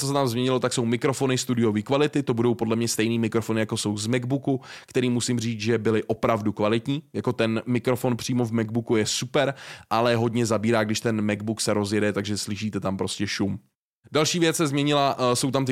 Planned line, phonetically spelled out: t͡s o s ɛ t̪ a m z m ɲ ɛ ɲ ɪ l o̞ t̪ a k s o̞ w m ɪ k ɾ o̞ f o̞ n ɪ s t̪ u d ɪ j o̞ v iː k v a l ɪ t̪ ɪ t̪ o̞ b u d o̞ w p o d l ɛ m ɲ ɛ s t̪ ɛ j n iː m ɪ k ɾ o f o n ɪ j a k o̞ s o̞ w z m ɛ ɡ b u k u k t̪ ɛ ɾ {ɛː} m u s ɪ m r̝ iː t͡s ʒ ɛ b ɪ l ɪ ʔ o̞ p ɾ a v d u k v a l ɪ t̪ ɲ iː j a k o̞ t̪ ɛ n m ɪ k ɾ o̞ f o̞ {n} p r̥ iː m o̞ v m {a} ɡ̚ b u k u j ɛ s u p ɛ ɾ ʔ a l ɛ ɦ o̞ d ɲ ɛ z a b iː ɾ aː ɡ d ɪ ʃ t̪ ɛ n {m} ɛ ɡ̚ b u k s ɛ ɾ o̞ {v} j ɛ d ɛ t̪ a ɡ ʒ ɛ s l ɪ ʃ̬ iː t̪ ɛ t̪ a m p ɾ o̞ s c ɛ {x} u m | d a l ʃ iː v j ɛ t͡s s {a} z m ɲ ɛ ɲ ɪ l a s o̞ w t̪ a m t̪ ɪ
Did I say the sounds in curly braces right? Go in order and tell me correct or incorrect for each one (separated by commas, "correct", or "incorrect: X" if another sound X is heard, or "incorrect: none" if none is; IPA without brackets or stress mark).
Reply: incorrect: iː, correct, incorrect: ɛ, correct, incorrect: z, incorrect: ʃ, incorrect: ɛ